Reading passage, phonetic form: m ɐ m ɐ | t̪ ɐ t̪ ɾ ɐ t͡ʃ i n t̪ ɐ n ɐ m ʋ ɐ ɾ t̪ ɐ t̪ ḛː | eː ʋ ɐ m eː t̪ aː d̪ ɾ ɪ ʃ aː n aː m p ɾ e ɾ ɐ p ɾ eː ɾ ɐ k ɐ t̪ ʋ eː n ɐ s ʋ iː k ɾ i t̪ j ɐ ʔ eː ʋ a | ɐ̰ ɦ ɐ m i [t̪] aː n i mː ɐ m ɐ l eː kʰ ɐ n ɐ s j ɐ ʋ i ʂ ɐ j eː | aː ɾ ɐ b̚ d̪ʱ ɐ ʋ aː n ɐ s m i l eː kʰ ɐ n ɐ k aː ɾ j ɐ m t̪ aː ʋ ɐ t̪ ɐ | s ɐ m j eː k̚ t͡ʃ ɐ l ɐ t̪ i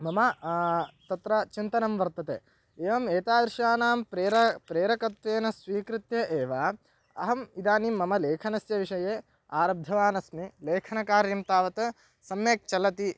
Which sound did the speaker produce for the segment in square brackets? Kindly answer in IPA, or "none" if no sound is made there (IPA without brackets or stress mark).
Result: d̪